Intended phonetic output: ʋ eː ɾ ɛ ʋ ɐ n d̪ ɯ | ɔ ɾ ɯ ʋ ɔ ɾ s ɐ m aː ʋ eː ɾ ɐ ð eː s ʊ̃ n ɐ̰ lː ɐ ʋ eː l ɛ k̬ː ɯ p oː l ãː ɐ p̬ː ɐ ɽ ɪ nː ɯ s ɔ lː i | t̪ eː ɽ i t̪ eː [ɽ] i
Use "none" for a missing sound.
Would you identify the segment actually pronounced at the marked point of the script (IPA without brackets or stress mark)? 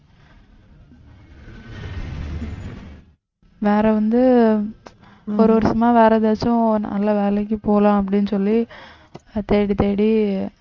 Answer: ɽ